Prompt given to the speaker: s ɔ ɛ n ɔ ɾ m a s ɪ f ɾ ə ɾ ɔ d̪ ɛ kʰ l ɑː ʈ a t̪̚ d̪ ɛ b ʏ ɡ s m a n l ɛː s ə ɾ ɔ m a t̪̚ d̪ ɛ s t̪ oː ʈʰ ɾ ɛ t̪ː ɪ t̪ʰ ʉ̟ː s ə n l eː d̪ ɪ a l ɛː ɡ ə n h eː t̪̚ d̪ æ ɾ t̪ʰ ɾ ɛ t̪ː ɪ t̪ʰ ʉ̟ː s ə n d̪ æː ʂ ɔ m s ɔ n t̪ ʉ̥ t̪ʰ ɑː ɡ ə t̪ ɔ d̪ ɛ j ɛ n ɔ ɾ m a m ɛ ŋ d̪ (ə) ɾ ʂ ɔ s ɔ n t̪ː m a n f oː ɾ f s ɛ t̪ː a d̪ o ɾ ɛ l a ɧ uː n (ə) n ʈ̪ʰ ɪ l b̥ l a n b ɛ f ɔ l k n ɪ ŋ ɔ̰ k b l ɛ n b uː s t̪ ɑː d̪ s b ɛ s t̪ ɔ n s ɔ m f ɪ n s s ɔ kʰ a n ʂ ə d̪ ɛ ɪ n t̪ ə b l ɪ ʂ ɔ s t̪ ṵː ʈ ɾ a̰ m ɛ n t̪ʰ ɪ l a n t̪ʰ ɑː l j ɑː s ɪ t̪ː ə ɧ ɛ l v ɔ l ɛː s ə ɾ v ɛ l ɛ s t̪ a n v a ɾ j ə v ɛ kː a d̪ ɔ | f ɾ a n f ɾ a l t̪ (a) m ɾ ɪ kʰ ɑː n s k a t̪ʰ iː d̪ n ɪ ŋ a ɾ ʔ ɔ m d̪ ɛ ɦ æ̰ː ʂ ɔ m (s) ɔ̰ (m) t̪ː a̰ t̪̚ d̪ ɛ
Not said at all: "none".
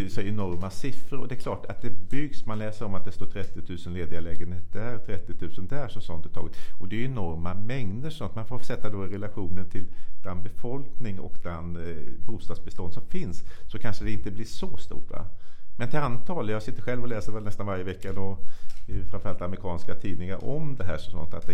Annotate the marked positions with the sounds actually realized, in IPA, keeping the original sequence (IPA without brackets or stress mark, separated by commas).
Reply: ə, ə, a, s, n